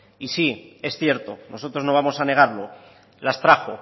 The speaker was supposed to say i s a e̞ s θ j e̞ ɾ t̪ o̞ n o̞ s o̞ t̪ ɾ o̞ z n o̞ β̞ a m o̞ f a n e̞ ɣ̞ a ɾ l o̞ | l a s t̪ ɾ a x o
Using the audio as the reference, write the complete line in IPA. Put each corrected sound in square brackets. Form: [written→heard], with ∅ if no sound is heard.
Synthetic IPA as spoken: i s [a→i] e̞ s θ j e̞ ɾ t̪ o̞ n o̞ s o̞ t̪ ɾ o̞ z n o̞ β̞ a m o̞ [f→s] a n e̞ ɣ̞ a ɾ l o̞ | l a s t̪ ɾ a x o